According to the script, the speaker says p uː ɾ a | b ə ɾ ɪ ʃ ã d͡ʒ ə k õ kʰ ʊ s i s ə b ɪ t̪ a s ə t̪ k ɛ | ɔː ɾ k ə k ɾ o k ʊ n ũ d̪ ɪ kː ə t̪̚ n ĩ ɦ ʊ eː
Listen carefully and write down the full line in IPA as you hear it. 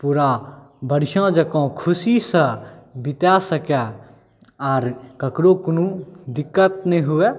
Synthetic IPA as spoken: p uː ɾ a | b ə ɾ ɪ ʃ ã d͡ʒ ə k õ kʰ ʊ s i s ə b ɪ t̪ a s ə k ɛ | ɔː ɾ k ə k ɾ o k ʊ n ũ d̪ ɪ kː ə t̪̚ n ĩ ɦ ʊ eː